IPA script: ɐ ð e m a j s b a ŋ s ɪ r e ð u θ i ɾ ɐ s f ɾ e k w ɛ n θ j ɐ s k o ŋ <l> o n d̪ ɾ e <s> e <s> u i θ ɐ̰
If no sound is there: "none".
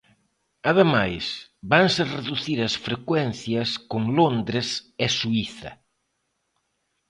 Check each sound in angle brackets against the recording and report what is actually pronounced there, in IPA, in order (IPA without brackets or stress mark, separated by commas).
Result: l, s, s